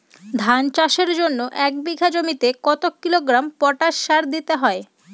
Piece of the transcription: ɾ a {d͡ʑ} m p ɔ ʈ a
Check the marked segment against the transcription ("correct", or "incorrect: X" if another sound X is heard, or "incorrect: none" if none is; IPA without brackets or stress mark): incorrect: none